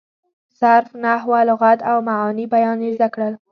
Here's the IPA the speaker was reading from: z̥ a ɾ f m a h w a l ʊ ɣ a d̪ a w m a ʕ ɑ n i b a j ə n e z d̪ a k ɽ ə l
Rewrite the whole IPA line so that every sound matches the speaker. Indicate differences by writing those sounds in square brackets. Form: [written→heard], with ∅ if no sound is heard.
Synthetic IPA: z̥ a ɾ f [m→n] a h w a l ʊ ɣ a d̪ a w m a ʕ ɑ n i b a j [ə→ɑ] n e z d̪ a k ɽ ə l